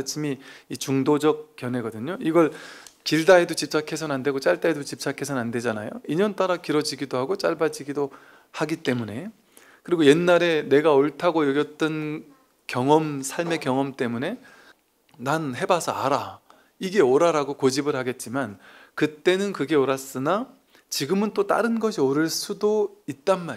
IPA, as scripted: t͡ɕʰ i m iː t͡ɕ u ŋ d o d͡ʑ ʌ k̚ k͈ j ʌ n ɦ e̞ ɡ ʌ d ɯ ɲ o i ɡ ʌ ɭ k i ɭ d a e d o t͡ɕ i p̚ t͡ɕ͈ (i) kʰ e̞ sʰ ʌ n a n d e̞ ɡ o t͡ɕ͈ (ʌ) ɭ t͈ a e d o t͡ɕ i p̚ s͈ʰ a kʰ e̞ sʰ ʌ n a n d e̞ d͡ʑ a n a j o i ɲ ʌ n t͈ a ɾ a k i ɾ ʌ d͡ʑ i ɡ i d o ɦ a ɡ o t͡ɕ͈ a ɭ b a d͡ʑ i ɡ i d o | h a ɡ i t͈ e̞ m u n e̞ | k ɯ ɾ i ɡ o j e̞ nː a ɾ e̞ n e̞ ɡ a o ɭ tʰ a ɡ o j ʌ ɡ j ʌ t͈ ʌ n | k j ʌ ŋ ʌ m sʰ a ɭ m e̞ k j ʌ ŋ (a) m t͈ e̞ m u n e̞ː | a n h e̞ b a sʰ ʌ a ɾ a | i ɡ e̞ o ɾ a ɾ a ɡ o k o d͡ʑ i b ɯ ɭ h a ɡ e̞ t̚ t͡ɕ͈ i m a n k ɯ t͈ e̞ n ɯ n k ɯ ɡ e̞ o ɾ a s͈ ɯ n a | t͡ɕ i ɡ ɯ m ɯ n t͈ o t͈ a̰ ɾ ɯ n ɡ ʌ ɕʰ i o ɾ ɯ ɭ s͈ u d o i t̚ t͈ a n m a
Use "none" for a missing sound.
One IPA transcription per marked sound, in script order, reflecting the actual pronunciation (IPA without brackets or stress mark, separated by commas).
a, a, ʌ